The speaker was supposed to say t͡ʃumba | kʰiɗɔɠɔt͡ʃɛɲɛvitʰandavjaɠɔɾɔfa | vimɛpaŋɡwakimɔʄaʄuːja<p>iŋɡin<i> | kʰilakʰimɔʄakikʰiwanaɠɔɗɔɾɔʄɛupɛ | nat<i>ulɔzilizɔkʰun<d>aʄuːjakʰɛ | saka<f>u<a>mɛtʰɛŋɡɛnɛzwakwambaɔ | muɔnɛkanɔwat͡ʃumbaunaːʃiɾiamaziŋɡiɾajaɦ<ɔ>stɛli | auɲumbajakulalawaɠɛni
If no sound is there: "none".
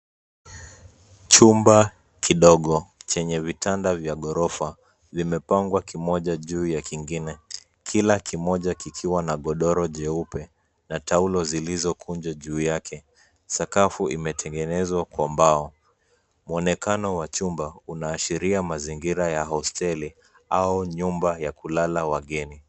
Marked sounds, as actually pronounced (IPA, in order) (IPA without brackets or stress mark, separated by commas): k, ɛ, a, d͡ʒ, f, i, ɔ